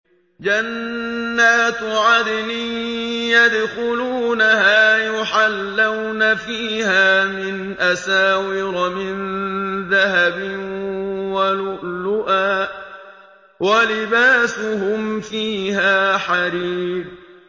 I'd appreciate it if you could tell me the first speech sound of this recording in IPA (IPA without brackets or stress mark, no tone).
d͡ʒ